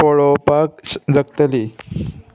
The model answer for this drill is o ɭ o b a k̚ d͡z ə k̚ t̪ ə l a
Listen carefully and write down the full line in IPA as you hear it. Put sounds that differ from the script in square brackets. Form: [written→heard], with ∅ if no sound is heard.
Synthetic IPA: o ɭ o [b→p] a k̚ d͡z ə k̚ t̪ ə l [a→i]